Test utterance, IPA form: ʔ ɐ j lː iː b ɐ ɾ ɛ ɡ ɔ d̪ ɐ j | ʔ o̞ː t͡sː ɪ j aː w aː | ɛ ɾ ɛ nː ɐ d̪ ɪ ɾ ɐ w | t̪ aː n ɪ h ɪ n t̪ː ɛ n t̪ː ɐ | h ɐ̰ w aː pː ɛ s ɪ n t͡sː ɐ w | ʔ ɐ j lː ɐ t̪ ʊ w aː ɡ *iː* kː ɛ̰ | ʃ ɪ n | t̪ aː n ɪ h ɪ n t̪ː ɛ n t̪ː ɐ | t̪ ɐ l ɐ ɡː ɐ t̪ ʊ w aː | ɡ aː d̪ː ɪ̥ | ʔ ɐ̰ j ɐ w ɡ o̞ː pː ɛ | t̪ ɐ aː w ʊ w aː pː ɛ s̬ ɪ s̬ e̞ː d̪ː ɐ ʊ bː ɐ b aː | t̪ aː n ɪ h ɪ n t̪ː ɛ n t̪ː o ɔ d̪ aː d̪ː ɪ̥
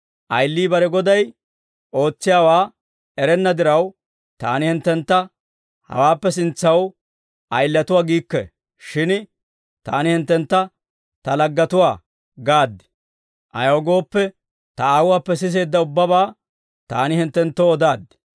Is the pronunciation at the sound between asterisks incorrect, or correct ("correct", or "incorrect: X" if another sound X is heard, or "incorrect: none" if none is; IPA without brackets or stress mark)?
correct